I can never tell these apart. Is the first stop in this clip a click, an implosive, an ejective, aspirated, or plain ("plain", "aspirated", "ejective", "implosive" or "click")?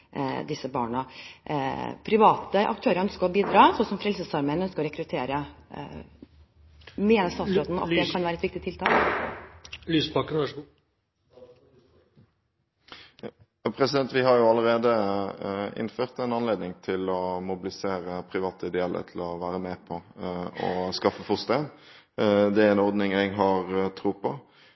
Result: plain